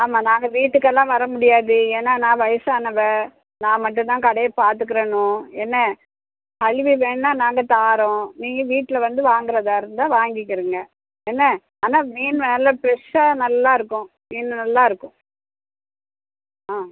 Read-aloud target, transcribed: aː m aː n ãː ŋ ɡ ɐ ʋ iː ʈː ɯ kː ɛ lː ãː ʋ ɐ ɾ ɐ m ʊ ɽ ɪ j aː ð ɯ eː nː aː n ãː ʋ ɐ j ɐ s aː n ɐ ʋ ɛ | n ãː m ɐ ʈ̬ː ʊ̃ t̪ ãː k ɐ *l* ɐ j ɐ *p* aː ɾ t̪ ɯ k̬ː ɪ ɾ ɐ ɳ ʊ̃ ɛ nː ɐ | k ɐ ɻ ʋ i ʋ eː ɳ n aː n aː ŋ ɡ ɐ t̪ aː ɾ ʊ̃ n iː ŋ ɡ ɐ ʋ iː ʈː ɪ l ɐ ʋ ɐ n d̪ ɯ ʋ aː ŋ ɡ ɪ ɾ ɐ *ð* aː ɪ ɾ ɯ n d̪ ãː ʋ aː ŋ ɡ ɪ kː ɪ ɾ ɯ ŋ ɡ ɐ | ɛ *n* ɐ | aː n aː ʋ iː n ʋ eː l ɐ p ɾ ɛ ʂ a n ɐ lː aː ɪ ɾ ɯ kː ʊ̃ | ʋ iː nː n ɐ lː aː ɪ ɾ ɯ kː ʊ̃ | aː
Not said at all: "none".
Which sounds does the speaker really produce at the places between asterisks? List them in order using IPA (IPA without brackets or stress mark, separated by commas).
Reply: ɽ, p, ð, nː